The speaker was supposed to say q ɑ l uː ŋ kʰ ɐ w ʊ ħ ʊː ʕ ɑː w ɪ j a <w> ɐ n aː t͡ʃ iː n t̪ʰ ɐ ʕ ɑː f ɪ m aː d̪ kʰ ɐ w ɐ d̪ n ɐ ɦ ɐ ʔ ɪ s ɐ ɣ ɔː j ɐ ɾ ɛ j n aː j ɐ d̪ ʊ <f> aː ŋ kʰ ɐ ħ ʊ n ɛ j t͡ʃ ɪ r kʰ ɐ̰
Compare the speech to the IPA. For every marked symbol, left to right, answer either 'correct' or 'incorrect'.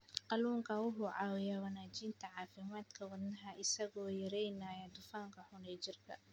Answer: correct, correct

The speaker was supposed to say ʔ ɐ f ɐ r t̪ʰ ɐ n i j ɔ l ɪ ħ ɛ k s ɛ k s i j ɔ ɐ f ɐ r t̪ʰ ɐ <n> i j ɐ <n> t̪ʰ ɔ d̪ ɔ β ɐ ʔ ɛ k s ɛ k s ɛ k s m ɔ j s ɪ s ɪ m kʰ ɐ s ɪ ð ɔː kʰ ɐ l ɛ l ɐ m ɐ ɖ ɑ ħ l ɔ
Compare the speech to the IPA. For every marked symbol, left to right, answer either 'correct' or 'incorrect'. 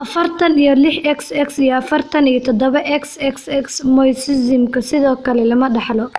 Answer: correct, incorrect: none

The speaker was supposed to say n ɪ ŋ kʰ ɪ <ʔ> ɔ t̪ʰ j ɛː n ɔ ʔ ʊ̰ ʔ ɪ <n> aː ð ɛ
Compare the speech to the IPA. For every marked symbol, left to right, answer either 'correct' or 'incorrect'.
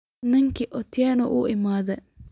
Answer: correct, incorrect: m

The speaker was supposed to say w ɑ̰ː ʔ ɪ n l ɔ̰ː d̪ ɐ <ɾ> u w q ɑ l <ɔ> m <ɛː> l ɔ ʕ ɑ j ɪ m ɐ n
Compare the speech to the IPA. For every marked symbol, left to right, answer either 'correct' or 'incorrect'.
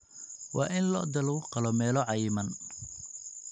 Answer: incorrect: l, correct, correct

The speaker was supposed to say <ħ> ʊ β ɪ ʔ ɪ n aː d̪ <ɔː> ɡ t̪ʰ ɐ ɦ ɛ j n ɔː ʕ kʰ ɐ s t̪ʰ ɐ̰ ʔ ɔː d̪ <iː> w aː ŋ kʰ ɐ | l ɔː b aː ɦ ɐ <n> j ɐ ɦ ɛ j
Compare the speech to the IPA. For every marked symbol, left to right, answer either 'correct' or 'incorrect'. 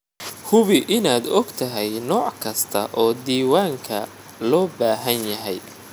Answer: incorrect: h, incorrect: ɔ, correct, correct

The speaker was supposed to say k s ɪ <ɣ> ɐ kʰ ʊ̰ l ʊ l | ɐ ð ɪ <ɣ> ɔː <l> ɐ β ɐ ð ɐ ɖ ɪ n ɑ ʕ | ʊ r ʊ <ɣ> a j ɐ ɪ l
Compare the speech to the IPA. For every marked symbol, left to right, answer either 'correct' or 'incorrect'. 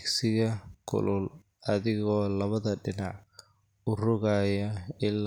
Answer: correct, correct, correct, correct

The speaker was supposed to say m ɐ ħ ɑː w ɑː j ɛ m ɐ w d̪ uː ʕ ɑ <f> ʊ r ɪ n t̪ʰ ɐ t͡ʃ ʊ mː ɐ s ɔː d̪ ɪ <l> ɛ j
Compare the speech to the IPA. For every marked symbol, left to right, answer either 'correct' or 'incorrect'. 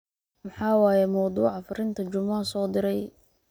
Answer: correct, incorrect: ɾ

